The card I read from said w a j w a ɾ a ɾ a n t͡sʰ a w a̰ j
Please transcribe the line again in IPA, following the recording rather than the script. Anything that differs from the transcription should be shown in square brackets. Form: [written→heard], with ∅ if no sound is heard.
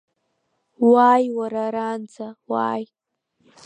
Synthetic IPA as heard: w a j w a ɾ a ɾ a n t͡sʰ a w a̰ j